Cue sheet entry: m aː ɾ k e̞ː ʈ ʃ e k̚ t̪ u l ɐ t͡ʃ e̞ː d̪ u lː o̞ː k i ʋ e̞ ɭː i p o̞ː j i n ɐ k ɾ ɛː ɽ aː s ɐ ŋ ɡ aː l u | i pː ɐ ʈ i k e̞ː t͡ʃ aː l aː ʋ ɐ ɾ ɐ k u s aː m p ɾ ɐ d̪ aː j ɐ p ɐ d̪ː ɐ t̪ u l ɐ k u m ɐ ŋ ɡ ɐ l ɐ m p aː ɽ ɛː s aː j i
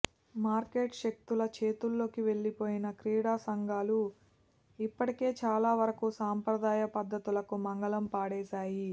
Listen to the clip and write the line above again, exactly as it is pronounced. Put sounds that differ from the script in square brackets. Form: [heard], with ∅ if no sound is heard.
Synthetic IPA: m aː ɾ k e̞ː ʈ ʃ e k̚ t̪ u l ɐ t͡ʃ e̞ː [t̪] u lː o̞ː k i ʋ e̞ ɭː i p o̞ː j i n ɐ k ɾ [iː] ɽ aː s ɐ ŋ ɡ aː l u | i pː ɐ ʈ i k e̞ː t͡ʃ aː l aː ʋ ɐ ɾ ɐ k u s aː m p ɾ ɐ d̪ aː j ɐ p ɐ d̪ː ɐ t̪ u l ɐ k u m ɐ ŋ ɡ ɐ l ɐ m p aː ɽ ɛː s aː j i

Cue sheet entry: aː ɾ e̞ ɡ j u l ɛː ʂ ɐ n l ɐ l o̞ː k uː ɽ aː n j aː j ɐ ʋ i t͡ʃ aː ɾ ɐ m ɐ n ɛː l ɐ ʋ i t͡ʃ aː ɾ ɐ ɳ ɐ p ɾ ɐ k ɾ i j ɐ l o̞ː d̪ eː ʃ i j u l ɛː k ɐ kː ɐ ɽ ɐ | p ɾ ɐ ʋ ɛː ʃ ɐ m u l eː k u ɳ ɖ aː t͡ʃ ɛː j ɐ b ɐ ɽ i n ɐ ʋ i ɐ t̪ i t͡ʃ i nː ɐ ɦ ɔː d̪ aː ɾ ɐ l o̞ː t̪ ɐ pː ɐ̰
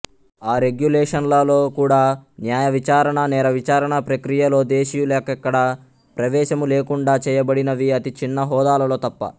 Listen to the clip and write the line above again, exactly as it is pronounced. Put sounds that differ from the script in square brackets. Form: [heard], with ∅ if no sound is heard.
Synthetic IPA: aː ɾ e̞ ɡ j u l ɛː ʂ ɐ n l ɐ l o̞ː k uː ɽ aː n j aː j ɐ ʋ i t͡ʃ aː ɾ ɐ [ɳ] ɐ n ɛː [ɾ] ɐ ʋ i t͡ʃ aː ɾ ɐ ɳ ɐ p ɾ ɐ k ɾ i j ɐ l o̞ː d̪ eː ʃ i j u l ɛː k ɐ kː ɐ ɽ ɐ | p ɾ ɐ ʋ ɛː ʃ ɐ m u l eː k u ɳ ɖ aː t͡ʃ ɛː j ɐ b ɐ ɽ i n ɐ ʋ i ɐ t̪ i t͡ʃ i nː ɐ ɦ ɔː d̪ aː [l] ɐ l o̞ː t̪ ɐ pː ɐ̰

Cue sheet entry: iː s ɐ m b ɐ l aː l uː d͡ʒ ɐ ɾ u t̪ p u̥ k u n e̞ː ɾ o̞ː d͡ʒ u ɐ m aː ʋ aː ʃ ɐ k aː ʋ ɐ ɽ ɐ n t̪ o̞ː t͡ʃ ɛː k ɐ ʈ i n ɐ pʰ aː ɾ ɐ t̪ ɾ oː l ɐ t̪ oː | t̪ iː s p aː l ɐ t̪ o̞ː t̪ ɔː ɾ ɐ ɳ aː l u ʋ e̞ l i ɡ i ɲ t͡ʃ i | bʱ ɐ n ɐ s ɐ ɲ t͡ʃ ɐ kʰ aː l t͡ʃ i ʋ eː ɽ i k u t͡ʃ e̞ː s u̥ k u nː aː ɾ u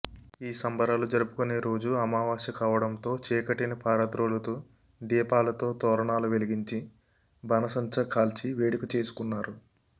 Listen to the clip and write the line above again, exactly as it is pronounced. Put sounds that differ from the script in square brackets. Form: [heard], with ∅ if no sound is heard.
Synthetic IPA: iː s ɐ m b ɐ [ɾ] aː l [u] d͡ʒ ɐ ɾ u [∅] p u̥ k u n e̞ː ɾ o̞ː d͡ʒ u ɐ m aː ʋ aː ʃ ɐ k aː ʋ ɐ ɽ ɐ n t̪ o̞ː t͡ʃ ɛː k ɐ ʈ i n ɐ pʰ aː ɾ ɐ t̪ ɾ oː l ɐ t̪ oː | [d̪] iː [∅] p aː l ɐ t̪ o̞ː t̪ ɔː ɾ ɐ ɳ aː l u ʋ e̞ l i ɡ i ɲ t͡ʃ i | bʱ ɐ n ɐ s ɐ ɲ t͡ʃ ɐ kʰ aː l t͡ʃ i ʋ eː ɽ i k u t͡ʃ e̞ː s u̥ k u nː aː ɾ u

